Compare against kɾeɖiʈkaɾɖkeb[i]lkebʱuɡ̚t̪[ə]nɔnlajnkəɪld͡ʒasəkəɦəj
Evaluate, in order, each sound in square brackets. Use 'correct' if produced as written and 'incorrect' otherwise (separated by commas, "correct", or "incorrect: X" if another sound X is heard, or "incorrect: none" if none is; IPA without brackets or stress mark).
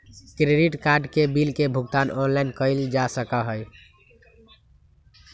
correct, incorrect: a